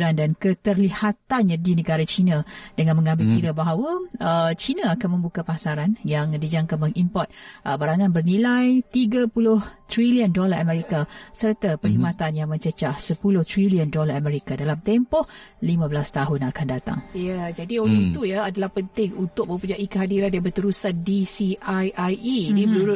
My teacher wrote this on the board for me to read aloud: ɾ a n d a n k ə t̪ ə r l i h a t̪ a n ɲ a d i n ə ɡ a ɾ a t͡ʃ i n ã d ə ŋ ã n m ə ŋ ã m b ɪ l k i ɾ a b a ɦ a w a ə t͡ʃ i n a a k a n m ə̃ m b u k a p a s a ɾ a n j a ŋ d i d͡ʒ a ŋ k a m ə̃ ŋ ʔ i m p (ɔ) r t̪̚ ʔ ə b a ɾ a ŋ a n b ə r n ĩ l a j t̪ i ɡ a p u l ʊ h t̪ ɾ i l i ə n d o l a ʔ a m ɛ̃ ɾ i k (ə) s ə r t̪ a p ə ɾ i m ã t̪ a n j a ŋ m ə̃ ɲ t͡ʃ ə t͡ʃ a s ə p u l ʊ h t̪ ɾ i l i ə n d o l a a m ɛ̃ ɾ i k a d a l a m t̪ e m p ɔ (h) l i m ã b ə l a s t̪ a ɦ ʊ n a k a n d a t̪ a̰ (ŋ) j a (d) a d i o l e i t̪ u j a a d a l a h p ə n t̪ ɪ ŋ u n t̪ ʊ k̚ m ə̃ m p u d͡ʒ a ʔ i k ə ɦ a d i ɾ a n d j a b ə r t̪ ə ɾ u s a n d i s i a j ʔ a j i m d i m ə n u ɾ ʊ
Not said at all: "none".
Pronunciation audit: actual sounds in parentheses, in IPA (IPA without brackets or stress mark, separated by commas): ɔ, a, h, ŋ, d͡ʒ